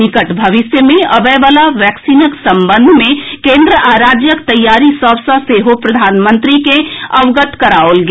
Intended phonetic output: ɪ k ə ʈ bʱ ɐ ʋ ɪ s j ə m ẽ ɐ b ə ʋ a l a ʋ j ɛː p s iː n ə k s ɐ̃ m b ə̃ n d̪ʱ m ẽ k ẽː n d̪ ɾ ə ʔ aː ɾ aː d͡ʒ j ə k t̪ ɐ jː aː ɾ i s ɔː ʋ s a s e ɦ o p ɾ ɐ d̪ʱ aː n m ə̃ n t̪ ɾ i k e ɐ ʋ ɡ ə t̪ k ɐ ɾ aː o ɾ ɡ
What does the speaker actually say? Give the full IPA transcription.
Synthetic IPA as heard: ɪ k ə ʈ bʱ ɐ ʋ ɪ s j ə m ẽ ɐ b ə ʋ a l a ʋ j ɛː k s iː n ə k s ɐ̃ m b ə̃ n d̪ʱ m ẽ k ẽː n d̪ ɾ ə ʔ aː ɾ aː d͡ʒ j ə k t̪ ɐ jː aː ɾ i s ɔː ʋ s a s e ɦ o p ɾ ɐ d̪ʱ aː n m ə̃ n t̪ ɾ i k e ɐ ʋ ɡ ə t̪ k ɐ ɾ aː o l ɡ